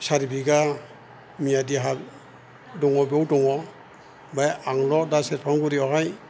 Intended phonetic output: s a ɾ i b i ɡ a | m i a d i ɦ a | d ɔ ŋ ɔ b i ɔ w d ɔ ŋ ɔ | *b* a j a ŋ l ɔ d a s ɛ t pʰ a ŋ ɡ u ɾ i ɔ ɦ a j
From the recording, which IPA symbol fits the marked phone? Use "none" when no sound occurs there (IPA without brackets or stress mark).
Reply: b